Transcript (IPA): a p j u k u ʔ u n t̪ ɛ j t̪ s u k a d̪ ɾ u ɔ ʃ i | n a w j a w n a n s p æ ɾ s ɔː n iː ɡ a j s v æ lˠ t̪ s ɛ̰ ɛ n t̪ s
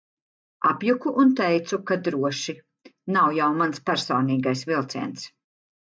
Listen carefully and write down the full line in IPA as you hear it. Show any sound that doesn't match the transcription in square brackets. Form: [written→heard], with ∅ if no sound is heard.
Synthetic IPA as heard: a p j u k u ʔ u n t̪ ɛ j t̪ s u k a d̪ ɾ u ɔ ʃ i | n a w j a w [n→m] a n s p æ ɾ s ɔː n iː ɡ a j s v [æ→i] lˠ t̪ s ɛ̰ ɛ n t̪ s